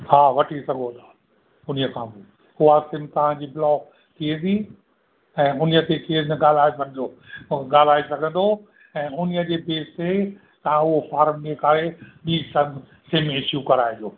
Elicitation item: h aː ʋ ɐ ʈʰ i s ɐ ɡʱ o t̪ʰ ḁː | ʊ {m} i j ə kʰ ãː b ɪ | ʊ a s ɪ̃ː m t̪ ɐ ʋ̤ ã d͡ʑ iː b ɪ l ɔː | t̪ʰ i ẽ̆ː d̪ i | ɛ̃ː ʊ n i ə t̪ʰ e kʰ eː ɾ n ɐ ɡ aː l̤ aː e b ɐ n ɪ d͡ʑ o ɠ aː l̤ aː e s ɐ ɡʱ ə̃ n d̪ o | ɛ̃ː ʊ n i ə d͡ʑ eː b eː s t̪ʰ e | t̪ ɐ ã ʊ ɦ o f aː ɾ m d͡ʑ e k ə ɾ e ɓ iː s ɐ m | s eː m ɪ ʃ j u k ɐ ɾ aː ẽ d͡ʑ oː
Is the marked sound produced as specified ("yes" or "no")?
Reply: no